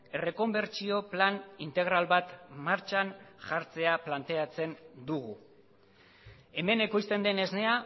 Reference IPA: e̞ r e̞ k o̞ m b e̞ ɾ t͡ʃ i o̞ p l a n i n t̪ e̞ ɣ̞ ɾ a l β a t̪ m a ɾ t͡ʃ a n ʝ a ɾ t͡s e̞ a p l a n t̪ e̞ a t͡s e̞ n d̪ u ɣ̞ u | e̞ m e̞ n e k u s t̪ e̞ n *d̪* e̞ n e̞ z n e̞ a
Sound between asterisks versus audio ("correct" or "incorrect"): correct